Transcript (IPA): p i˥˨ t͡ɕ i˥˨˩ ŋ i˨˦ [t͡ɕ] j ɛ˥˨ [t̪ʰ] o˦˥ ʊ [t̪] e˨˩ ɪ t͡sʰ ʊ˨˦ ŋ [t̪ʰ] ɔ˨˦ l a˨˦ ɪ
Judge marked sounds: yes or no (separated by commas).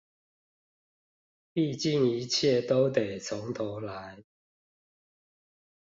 no, no, yes, yes